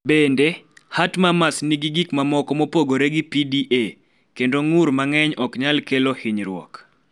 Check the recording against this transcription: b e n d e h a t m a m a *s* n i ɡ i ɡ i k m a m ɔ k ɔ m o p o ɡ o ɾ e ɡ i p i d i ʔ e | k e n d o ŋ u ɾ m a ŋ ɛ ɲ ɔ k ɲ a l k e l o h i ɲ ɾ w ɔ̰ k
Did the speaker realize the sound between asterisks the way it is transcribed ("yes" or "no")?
yes